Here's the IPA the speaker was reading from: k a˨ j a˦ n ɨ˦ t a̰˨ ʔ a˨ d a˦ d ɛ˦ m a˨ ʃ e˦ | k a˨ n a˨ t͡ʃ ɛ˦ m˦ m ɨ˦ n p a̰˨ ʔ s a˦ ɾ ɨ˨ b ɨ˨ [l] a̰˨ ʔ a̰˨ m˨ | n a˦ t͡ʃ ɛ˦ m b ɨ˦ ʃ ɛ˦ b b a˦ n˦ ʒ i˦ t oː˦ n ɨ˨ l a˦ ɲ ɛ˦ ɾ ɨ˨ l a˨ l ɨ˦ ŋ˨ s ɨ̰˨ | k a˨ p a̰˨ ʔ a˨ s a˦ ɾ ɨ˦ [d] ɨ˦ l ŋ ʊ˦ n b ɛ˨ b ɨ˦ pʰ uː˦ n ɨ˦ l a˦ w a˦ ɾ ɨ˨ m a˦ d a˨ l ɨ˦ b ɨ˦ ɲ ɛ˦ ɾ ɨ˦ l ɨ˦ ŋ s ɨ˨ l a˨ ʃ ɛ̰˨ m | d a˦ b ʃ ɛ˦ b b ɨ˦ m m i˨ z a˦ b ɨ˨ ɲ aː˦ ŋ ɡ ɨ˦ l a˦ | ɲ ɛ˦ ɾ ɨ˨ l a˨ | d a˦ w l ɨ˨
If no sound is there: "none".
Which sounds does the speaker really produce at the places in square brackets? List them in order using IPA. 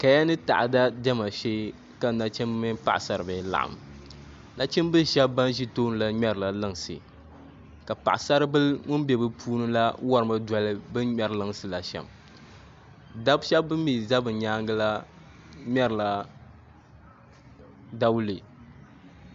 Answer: l, b

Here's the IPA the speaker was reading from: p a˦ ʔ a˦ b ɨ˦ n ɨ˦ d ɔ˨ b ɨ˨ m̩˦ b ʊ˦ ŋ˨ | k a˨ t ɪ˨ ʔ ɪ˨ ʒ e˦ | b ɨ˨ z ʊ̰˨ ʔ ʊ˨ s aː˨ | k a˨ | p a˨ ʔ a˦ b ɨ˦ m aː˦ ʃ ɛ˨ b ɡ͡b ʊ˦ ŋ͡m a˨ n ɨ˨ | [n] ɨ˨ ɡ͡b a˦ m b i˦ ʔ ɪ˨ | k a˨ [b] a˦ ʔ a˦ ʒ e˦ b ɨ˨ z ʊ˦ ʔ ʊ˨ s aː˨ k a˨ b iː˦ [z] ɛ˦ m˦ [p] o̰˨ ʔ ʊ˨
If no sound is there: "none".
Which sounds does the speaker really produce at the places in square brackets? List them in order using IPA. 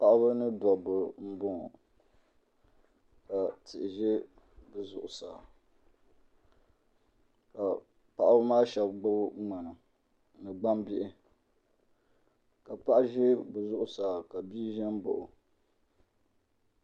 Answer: n, p, ʒ, b

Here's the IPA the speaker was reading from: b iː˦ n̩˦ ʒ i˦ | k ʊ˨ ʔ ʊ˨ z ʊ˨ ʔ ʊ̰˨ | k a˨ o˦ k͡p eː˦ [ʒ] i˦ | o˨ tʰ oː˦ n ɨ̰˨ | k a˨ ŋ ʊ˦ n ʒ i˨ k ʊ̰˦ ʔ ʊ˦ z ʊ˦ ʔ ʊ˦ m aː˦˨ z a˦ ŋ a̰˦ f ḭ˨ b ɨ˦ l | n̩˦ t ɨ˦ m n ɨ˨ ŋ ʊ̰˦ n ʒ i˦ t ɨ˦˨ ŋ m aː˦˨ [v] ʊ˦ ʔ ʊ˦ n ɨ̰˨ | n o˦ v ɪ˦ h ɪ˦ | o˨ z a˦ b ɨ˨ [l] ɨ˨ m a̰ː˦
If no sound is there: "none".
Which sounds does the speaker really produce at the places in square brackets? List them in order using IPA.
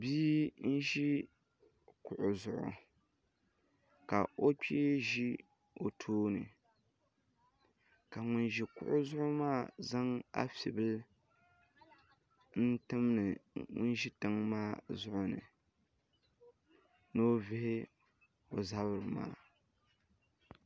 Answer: ʒ, z, ɾ

